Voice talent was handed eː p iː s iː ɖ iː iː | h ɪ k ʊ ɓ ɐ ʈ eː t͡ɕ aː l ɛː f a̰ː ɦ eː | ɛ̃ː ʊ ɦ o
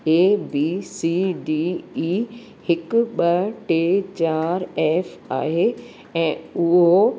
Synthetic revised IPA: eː b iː s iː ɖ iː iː | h ɪ k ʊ ɓ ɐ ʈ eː t͡ɕ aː ɾ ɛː f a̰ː ɦ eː | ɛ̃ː ʊ ɦ o